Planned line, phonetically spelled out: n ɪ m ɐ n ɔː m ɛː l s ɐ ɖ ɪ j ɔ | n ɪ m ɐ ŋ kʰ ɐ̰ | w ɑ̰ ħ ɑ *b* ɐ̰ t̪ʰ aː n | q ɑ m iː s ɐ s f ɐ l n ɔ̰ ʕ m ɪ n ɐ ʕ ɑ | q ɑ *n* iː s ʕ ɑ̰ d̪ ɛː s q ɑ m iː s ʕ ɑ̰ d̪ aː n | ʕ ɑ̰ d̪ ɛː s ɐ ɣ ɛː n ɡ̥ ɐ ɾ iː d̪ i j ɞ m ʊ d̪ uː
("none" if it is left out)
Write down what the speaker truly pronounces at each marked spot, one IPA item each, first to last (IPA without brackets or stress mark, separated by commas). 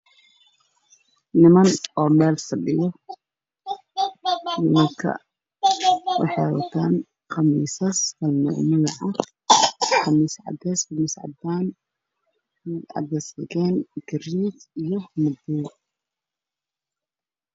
w, m